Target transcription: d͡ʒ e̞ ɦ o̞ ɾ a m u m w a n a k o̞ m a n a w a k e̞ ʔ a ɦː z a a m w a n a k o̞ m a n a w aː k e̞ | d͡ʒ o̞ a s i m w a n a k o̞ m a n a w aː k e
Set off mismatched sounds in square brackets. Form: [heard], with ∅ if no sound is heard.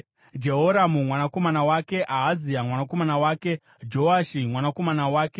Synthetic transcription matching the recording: d͡ʒ e̞ ɦ o̞ ɾ a m u m w a n a k o̞ m a n a w a k e̞ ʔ a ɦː z [i] a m w a n a k o̞ m a n a w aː k e̞ | d͡ʒ o̞ a [ʃ] i m w a n a k o̞ m a n a w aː k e

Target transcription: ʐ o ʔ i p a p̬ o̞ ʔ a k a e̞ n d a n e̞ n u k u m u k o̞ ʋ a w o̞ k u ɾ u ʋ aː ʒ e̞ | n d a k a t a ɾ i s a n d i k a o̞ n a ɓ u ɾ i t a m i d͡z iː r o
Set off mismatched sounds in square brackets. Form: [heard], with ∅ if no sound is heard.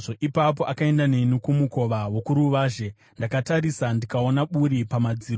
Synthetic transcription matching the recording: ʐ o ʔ i p a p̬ o̞ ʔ a k a e̞ n d a n e̞ n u k u m u k o̞ ʋ a w o̞ k u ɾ u ʋ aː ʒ e̞ | n d a k a t a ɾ i s a n d i k a o̞ n a ɓ u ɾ i [p] a m [a] d͡z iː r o

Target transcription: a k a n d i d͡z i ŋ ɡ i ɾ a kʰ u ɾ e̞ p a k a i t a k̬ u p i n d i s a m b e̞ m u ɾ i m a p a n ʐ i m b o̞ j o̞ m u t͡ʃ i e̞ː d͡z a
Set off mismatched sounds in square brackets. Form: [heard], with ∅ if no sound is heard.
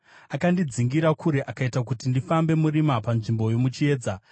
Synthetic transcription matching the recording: a k a n d i d͡z i ŋ ɡ i ɾ a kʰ u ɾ e̞ [ʔ] a k a i t a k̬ u [t] i n d i [f] a m b e̞ m u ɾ i m a p a n ʐ i m b o̞ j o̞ m u t͡ʃ i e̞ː d͡z a

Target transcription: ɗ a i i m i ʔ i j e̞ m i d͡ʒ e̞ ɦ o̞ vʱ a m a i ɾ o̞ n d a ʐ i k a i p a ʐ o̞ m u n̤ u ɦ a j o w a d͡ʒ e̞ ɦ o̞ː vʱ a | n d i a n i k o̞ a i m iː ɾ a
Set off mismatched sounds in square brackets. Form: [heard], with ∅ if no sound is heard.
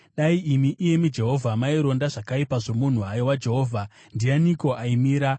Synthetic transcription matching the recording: ɗ a i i m i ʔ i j e̞ m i d͡ʒ e̞ ɦ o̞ vʱ a m a i ɾ o̞ n d a ʐ [a] k a i p a ʐ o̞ m u n̤ u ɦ a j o w a d͡ʒ e̞ ɦ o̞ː vʱ a | n d i a n i k o̞ a i m iː ɾ a

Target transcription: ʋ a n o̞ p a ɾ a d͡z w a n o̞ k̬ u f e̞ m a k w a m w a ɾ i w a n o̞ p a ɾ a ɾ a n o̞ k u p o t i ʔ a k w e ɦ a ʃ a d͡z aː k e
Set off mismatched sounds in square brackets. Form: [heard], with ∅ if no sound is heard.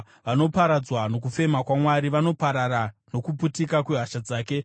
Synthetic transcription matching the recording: ʋ a n o̞ p a ɾ a d͡z w a n o̞ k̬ u f e̞ m a k w a m w a ɾ i [ʋ] a n o̞ p a ɾ a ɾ a n o̞ k u p [u] t i [k] a k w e ɦ a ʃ a d͡z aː k e

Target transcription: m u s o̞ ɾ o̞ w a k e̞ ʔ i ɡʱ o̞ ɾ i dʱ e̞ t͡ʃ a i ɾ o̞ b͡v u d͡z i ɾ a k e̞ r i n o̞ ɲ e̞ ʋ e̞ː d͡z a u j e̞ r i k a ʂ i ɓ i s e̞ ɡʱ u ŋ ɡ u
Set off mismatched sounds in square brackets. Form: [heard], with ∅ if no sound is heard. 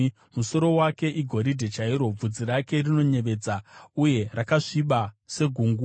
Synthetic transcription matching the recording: m u s o̞ ɾ o̞ w a k e̞ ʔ i ɡʱ o̞ ɾ i dʱ e̞ t͡ʃ a i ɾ o̞ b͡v u d͡z i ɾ a k e̞ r i n o̞ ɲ e̞ ʋ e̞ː d͡z a u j e̞ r [a] k a ʂ i ɓ [a] s e̞ ɡʱ u ŋ ɡ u

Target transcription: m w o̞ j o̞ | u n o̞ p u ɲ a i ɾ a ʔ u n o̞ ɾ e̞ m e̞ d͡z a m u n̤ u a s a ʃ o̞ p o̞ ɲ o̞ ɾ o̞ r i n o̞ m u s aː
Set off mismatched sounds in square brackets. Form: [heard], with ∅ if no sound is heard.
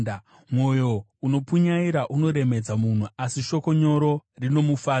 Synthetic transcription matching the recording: m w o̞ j o̞ | u n o̞ p u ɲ a i ɾ a ʔ u n o̞ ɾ e̞ m e̞ d͡z a m u n̤ u a s [i] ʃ o̞ [k] o̞ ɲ o̞ ɾ o̞ r i n o̞ m u [f] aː

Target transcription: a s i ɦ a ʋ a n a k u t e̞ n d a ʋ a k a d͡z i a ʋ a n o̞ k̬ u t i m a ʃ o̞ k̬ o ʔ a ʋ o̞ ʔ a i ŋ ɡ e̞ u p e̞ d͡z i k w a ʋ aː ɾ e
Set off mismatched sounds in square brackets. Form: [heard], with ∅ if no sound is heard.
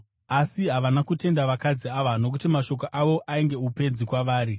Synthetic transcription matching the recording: a s i ɦ a ʋ a n a k u t e̞ n d a ʋ a k a d͡z i a ʋ a n o̞ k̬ u t i m a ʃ o̞ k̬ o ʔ a ʋ o̞ ʔ a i ŋ ɡ e̞ u p e̞ d͡z i k w a ʋ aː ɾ [i]

